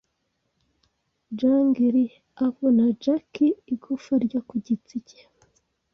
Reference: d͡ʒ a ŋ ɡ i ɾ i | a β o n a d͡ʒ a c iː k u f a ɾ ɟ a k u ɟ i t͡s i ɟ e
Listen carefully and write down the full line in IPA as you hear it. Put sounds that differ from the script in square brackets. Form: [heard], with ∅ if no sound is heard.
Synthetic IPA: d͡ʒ a ŋ ɡ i ɾ i | a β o n a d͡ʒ a [k] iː [ɡ] u f a ɾ ɟ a k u ɟ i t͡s i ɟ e